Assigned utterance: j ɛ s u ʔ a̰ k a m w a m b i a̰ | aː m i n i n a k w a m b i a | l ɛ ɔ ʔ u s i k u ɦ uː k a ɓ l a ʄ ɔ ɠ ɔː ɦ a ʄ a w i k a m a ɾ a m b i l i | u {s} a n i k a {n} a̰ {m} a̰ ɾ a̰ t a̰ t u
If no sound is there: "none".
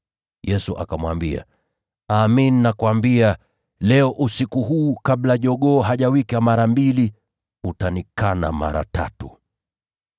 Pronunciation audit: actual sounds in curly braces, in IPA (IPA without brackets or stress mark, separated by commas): t, n, m